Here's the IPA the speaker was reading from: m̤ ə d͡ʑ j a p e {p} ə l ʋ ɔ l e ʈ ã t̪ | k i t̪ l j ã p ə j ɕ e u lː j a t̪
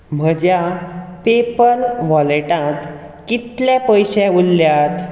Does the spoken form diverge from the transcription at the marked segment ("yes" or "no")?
no